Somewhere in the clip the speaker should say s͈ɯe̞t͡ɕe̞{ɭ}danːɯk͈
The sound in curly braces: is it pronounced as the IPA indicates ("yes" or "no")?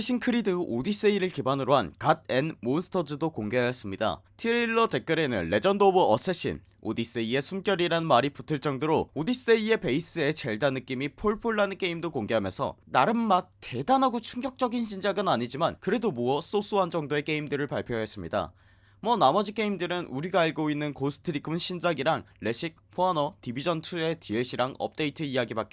yes